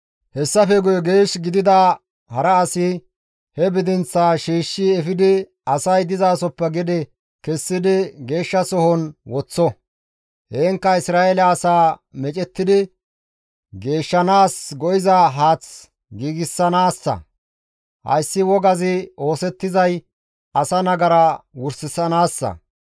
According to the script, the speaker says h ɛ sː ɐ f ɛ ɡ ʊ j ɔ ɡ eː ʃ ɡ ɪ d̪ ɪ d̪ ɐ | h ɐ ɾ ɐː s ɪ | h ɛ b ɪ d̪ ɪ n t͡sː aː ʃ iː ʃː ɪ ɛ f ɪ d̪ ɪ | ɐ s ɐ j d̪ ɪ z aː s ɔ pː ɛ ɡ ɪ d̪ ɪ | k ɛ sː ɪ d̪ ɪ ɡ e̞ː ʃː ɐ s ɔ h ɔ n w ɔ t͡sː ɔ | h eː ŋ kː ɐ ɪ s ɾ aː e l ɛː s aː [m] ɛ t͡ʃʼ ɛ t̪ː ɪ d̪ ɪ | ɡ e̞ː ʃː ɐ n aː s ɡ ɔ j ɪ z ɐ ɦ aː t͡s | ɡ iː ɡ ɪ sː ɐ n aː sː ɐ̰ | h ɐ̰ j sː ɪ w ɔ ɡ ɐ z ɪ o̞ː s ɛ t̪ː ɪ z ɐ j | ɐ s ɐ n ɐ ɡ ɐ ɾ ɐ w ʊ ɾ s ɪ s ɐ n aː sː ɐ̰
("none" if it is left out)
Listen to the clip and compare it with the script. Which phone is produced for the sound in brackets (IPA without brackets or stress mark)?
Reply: m